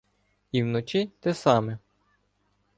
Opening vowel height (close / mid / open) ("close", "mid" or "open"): close